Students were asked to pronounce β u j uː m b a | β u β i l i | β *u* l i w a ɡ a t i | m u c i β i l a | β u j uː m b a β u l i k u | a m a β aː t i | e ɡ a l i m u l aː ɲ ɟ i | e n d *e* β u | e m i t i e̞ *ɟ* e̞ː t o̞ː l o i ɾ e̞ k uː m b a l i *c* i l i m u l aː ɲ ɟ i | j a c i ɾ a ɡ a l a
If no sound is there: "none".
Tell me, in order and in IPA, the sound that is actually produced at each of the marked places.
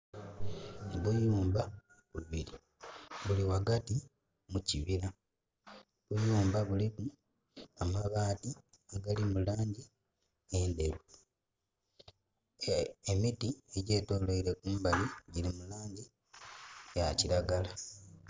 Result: u, e, ɟ, ɟ

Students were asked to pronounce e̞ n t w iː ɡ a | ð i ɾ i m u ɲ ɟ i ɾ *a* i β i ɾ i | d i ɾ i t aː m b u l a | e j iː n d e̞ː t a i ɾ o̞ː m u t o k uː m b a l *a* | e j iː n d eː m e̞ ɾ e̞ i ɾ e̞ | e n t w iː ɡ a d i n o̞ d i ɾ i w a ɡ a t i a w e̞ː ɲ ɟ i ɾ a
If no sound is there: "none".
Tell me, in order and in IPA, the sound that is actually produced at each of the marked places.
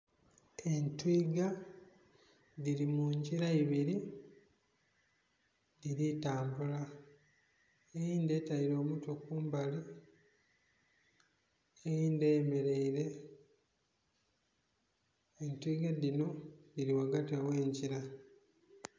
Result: a, i

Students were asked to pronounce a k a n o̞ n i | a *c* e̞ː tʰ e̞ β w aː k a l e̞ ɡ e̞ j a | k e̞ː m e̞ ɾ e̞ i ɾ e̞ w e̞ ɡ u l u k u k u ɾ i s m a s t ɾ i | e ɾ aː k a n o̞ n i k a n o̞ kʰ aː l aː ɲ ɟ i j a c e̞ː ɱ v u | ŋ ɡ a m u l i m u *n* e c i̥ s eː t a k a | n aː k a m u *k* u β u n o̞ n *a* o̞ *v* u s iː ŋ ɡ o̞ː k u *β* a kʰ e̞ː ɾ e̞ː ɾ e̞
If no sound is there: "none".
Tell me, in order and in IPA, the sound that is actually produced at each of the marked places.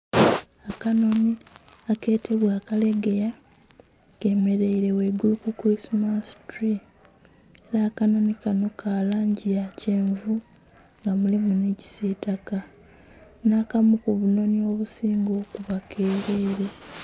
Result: k, n, k, i, β, β

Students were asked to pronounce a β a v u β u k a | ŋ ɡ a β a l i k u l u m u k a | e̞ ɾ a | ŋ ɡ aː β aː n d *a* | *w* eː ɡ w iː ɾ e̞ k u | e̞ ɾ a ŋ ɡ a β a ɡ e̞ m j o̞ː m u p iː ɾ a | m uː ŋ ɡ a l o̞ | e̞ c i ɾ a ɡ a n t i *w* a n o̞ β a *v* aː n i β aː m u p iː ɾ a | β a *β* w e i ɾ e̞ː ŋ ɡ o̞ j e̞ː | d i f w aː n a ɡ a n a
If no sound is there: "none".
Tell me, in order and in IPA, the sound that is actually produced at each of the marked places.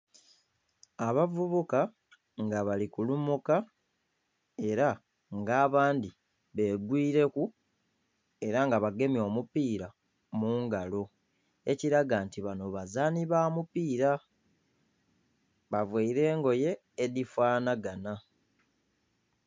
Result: i, β, β, z, v

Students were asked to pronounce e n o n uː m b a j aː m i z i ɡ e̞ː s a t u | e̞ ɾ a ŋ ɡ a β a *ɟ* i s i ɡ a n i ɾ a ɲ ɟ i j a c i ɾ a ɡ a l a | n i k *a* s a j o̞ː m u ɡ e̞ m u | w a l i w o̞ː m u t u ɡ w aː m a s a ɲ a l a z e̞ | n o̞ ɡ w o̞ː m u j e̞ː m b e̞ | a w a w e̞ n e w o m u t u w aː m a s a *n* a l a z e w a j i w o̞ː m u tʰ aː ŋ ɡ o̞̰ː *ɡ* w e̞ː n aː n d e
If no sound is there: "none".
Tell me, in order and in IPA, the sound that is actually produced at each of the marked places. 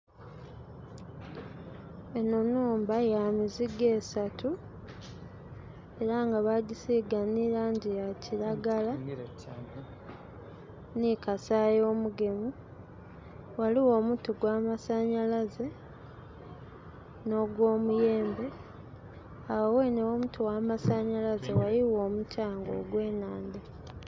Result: ɟ, a, ɲ, ɡ

